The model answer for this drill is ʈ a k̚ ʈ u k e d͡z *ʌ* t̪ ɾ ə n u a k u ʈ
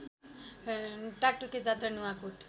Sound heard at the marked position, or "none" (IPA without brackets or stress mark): a